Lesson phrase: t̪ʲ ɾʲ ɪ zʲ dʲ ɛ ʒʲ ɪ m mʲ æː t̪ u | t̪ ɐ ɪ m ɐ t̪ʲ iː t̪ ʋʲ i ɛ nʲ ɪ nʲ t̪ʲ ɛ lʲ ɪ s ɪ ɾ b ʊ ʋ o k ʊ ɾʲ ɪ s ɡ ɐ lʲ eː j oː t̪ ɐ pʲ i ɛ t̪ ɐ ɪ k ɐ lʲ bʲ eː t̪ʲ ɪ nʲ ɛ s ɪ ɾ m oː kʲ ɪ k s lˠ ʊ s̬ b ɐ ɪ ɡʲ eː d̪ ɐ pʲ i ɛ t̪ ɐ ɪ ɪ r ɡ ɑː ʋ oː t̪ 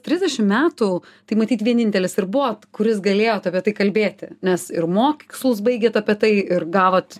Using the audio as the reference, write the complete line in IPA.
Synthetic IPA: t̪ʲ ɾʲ ɪ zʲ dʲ ɛ ʃʲ ɪ m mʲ æː t̪ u | t̪ ɐ ɪ m ɐ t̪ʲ iː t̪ ʋʲ i ɛ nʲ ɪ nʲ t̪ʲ ɛ lʲ ɪ s ɪ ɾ b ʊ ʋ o k ʊ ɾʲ ɪ s ɡ ɐ lʲ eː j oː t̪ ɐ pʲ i ɛ t̪ ɐ ɪ k ɐ lʲ bʲ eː t̪ʲ ɪ nʲ ɛ s ɪ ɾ m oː kʲ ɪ k s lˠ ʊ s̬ b ɐ ɪ ɡʲ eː t̪ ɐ pʲ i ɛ t̪ ɐ ɪ ɪ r ɡ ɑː ʋ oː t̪